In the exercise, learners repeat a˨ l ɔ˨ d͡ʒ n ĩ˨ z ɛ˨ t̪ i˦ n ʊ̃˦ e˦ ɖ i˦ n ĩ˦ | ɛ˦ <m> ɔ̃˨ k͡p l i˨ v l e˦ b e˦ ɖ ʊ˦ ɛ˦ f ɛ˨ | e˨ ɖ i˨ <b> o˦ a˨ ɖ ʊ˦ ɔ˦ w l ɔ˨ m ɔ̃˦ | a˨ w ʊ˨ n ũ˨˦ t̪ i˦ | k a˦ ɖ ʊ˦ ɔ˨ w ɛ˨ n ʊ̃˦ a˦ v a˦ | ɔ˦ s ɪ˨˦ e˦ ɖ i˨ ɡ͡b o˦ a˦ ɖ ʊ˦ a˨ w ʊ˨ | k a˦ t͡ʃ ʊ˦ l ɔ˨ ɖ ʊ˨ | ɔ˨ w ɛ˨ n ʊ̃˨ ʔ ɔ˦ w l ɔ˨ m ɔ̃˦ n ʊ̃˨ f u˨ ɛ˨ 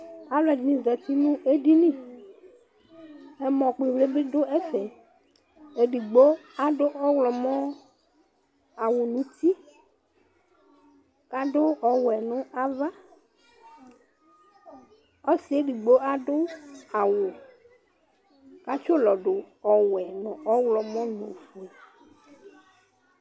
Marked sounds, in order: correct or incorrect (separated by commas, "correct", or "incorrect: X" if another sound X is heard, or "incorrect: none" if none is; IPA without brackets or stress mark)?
correct, incorrect: ɡ͡b